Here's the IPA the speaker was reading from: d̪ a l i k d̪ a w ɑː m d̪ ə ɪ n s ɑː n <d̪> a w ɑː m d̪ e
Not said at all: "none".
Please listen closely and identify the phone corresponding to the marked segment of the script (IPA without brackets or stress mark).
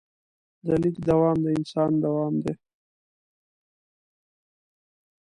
d̪